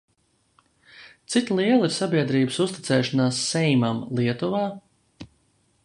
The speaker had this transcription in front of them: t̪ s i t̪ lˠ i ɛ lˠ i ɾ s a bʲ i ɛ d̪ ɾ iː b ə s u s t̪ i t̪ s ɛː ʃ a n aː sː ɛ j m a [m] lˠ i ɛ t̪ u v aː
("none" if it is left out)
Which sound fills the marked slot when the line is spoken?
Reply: m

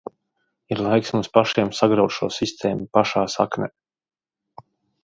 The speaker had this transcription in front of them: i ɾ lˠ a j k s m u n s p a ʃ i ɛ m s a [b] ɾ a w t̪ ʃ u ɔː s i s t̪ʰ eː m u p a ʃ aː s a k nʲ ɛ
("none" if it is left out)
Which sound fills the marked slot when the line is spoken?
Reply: ɡ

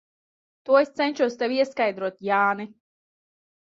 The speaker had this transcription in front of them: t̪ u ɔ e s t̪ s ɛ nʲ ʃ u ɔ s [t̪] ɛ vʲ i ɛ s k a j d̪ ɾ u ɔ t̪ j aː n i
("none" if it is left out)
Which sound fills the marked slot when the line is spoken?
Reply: t̪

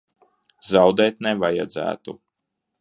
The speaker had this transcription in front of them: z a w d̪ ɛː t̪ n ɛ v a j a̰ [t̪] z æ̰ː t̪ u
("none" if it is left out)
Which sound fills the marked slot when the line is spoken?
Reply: d̪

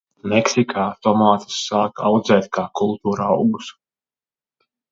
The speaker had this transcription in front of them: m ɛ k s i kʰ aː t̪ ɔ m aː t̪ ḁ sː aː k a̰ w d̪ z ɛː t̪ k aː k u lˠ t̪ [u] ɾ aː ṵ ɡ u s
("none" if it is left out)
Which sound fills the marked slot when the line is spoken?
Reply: uː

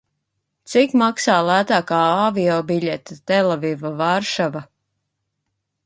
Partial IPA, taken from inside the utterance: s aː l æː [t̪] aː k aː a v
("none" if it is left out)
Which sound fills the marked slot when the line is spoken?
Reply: t̪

